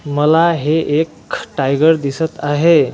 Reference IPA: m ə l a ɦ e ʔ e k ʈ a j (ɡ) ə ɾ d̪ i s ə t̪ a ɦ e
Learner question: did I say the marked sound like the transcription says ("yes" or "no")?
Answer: yes